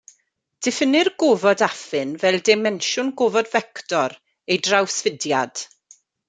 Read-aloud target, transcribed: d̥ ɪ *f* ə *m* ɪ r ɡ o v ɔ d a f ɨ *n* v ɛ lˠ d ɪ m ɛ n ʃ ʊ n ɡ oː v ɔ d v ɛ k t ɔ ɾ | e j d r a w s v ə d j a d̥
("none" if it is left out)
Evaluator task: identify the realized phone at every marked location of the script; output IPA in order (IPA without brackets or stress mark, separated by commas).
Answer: f, n, n